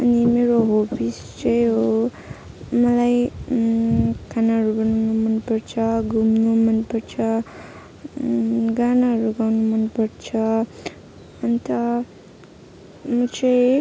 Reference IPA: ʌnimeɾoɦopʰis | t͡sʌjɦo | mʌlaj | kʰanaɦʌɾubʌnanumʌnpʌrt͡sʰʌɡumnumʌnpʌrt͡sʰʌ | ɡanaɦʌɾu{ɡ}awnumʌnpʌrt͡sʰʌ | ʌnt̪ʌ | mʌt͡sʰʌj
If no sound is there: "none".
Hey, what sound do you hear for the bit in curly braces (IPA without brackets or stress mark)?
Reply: ɡ